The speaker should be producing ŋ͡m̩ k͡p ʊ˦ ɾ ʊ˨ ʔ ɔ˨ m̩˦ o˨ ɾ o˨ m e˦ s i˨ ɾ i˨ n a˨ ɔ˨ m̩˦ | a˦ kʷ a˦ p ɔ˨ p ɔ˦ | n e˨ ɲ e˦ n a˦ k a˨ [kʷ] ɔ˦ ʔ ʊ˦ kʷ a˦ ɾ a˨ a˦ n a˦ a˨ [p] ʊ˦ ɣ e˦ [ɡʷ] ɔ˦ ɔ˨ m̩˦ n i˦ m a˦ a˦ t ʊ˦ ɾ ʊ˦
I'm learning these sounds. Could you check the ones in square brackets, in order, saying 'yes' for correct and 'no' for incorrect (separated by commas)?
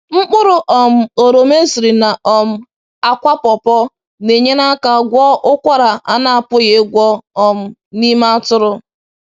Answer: no, yes, yes